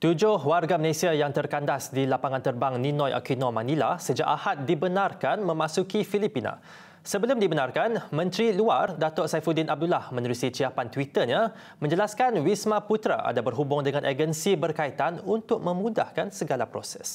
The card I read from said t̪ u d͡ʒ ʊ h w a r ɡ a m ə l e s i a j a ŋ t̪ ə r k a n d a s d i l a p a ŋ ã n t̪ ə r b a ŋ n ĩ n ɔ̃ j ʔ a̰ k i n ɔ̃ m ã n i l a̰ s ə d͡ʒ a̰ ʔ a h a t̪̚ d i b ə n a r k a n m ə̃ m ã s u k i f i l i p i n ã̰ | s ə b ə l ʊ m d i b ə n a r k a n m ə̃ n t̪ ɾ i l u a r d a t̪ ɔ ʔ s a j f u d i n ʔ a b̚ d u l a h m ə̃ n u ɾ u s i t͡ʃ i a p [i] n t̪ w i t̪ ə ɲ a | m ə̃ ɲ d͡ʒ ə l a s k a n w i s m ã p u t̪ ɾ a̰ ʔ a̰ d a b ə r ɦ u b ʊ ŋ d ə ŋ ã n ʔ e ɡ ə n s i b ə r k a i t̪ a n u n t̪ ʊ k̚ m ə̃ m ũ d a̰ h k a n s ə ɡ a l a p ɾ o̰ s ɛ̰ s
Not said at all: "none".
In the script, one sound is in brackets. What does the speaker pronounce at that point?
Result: a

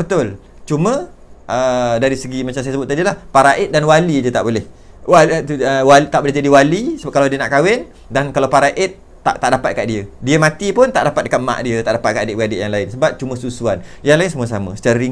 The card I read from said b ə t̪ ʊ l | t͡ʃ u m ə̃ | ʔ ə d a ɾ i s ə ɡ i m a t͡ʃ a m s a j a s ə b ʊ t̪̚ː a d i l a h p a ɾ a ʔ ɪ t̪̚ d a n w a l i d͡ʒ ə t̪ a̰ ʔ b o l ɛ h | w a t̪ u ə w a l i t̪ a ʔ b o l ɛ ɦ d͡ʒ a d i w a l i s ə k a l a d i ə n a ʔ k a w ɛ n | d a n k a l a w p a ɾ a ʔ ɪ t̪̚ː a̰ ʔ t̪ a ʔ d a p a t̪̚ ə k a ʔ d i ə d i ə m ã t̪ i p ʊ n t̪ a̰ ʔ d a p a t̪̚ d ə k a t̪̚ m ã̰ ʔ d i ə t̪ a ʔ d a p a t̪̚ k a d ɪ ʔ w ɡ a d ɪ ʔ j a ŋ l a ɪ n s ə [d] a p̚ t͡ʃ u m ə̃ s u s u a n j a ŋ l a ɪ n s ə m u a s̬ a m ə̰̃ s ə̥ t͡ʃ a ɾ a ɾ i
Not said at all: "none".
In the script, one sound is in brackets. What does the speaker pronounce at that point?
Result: b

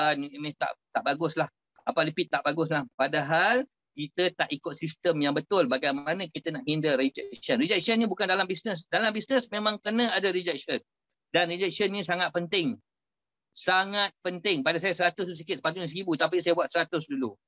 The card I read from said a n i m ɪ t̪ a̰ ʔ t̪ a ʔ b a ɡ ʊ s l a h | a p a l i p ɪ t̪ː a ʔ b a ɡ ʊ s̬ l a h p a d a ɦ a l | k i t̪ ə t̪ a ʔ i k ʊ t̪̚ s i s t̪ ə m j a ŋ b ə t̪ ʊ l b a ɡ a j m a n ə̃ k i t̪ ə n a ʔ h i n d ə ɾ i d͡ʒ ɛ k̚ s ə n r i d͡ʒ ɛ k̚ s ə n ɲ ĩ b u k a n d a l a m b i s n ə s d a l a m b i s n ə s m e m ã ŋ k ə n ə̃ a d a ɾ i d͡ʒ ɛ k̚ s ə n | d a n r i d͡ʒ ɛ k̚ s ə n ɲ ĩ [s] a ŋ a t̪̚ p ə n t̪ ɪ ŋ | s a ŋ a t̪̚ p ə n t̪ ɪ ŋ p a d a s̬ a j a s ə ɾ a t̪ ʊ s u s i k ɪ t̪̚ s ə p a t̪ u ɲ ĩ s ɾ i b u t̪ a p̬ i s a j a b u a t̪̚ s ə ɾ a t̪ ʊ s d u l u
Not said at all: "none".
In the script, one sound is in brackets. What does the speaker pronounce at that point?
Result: s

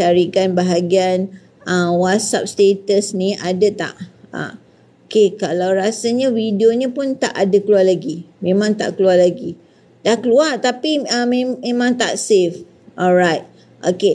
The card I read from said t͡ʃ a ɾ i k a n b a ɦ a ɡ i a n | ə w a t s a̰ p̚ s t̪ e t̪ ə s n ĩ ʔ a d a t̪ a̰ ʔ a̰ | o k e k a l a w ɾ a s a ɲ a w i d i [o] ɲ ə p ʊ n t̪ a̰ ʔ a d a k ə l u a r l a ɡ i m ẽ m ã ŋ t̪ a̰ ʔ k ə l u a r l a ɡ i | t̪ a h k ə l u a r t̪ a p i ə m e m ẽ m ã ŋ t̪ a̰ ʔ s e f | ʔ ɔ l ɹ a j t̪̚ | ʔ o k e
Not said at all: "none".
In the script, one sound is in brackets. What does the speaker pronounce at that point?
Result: o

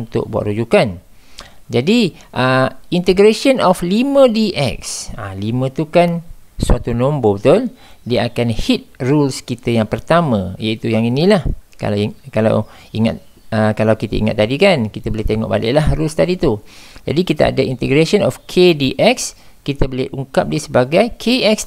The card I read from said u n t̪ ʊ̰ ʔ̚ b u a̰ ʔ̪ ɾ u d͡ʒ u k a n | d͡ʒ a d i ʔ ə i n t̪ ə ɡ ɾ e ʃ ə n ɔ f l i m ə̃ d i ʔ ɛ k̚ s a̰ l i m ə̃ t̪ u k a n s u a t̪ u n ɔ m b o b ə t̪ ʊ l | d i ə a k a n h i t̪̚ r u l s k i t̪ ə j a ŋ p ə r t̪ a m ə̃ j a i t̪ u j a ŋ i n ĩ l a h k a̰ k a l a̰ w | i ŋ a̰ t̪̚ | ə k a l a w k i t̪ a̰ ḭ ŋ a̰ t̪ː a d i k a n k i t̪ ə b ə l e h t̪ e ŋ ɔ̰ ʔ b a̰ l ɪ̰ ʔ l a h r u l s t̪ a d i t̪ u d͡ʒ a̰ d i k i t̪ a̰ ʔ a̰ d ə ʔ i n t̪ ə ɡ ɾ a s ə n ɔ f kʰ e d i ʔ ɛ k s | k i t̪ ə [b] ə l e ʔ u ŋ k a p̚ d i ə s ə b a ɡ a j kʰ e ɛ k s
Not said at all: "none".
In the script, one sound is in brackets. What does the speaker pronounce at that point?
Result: b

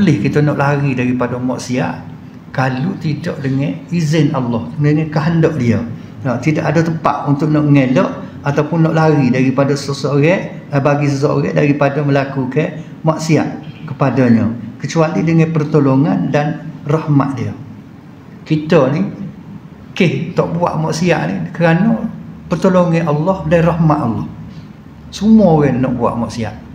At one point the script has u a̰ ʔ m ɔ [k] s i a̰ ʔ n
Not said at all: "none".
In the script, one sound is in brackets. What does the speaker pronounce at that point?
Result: ʔ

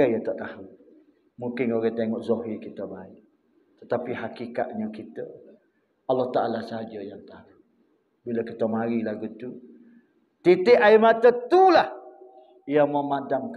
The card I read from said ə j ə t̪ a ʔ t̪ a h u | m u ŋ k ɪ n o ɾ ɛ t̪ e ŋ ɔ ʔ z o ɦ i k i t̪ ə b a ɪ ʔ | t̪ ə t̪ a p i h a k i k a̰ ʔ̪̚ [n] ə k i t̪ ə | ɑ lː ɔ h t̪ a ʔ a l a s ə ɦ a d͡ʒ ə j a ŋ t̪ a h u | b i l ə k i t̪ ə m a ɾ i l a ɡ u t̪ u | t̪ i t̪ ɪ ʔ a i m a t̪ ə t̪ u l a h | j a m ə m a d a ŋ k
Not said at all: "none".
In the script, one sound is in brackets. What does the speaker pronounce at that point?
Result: ɲ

